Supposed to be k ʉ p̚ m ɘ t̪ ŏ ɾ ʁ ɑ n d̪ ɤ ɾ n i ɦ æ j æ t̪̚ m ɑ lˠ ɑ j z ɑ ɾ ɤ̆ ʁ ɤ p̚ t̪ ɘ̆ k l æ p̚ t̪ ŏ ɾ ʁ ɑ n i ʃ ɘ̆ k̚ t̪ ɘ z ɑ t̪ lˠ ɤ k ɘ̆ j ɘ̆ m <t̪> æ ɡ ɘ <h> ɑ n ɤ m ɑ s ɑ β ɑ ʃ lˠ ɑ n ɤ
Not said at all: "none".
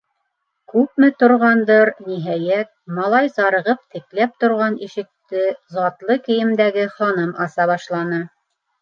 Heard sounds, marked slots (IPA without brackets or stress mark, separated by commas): d̪, χ